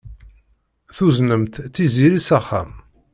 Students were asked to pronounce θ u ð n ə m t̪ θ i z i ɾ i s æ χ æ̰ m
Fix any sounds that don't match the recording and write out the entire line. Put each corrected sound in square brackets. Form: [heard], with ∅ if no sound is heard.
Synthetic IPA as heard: θ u [z] n ə m t̪ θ i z i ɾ i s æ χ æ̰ m